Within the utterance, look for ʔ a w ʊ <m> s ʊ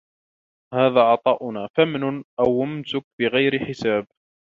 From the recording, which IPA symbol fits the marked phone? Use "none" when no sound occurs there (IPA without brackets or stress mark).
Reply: m